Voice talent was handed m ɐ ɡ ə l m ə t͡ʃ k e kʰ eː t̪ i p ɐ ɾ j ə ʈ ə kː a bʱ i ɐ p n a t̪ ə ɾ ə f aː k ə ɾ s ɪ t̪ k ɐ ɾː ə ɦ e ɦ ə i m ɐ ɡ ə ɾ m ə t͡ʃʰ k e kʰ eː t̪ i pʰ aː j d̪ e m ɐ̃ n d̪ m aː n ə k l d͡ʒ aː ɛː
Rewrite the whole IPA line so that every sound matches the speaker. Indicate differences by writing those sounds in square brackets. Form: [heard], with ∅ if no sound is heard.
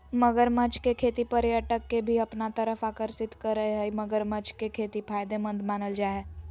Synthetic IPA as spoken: m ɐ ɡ ə [ɾ] m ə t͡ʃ k e kʰ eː t̪ i p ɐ ɾ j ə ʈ ə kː [e] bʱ i ɐ p n a t̪ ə ɾ ə f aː k ə ɾ s ɪ t̪ k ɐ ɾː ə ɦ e ɦ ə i m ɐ ɡ ə ɾ m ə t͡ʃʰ k e kʰ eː t̪ i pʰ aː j d̪ e m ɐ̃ n d̪ m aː n ə [∅] l d͡ʒ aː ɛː